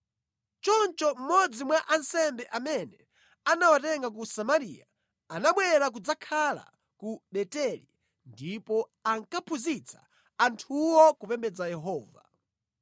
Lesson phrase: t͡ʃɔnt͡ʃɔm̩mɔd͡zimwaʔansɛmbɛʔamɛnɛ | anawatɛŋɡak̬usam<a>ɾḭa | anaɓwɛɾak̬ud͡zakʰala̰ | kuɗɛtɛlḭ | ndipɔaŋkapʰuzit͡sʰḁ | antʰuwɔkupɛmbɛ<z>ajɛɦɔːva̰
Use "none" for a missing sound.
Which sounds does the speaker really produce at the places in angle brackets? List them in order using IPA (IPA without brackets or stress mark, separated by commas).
a, d͡z